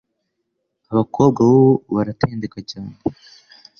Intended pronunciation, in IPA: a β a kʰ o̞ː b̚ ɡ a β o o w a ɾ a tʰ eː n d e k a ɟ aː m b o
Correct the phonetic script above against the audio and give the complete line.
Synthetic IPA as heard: a β a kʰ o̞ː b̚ ɡ a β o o β a ɾ a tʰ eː n d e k a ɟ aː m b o